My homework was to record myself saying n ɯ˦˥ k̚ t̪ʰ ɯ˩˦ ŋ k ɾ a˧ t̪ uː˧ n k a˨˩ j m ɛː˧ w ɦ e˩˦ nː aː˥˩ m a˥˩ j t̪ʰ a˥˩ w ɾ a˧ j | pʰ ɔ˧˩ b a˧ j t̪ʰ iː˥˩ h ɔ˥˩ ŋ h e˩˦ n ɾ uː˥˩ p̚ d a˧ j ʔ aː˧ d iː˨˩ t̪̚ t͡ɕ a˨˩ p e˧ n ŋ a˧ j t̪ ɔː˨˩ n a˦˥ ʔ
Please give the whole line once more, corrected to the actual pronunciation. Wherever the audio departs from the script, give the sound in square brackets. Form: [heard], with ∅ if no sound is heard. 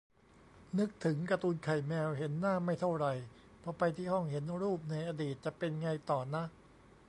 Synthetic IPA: n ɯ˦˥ k̚ t̪ʰ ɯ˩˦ ŋ k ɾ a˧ t̪ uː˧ n [kʰ] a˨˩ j m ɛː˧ w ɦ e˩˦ nː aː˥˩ m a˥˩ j t̪ʰ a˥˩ w ɾ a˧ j | pʰ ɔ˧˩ [p] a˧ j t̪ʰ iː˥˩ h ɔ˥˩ ŋ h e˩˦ n ɾ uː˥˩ p̚ [n] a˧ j ʔ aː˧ d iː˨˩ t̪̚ t͡ɕ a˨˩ p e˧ n ŋ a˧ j t̪ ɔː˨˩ n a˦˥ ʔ